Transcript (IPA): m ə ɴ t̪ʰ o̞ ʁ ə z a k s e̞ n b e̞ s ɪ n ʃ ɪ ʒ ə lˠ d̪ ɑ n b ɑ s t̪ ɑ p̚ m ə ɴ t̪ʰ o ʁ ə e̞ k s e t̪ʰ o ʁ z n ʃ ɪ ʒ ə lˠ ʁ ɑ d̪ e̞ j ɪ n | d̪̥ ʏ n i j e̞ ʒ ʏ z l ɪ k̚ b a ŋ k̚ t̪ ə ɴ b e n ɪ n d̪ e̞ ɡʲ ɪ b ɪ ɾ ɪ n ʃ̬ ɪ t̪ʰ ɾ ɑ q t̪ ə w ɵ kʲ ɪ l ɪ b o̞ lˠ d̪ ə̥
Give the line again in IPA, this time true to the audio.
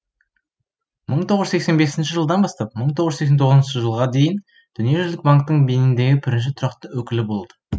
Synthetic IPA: m ə ɴ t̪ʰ o̞ ʁ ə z e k s e̞ n b e̞ s ɪ n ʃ ɪ ʒ ə lˠ d̪ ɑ n b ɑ s t̪ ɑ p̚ m ə ɴ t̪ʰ o ʁ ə e̞ k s e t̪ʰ o ʁ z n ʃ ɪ ʒ ə lˠ ʁ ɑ d̪ e̞ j ɪ n | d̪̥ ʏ n i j e̞ ʒ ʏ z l ɪ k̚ b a ŋ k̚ t̪ ə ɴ b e n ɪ n d̪ e̞ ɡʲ ɪ b ɪ ɾ ɪ n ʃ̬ ɪ t̪ʰ ɾ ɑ q t̪ ə w ɵ kʲ ɪ l ɪ b o̞ lˠ d̪ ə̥